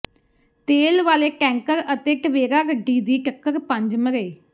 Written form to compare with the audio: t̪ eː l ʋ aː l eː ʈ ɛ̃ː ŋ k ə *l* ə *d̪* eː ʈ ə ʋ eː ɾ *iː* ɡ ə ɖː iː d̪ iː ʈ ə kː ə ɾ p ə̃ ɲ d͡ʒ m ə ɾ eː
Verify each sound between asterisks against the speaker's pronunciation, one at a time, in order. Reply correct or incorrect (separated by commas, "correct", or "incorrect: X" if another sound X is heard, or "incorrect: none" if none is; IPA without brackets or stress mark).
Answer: incorrect: ɾ, incorrect: t̪, incorrect: aː